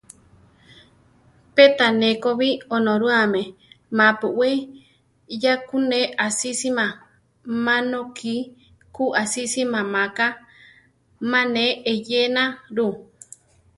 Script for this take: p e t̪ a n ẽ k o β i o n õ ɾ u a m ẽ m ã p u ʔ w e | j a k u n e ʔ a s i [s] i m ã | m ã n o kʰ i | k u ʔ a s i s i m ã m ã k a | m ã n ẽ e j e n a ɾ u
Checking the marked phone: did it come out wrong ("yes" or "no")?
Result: no